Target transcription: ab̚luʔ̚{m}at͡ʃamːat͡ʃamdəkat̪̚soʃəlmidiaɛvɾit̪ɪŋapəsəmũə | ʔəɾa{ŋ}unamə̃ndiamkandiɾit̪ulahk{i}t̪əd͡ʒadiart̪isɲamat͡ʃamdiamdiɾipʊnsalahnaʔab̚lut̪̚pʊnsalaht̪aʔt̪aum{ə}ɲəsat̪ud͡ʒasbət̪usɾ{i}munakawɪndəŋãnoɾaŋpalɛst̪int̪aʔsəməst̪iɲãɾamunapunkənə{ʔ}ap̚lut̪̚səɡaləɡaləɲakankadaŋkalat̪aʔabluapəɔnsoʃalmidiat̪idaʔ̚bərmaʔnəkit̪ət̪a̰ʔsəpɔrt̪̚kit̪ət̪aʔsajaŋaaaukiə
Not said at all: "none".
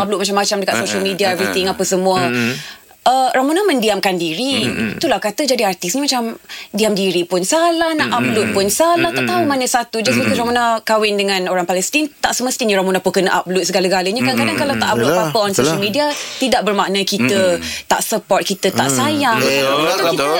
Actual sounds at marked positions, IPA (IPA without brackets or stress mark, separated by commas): m, m, a, a, a, ʔ